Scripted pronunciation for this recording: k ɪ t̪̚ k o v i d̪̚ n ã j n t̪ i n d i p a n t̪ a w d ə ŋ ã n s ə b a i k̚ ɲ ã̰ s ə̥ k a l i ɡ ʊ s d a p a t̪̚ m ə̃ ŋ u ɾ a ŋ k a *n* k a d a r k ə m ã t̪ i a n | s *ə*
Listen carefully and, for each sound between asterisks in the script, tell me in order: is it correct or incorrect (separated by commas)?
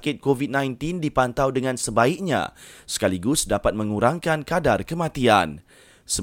correct, correct